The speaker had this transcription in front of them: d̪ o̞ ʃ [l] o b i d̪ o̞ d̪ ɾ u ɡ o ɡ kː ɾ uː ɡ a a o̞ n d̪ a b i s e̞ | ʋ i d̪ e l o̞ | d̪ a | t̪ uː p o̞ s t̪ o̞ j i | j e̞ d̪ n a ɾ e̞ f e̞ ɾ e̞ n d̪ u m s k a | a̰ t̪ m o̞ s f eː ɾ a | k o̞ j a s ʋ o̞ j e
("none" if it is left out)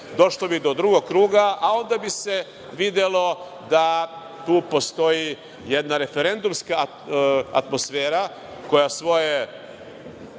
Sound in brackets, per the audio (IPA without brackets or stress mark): l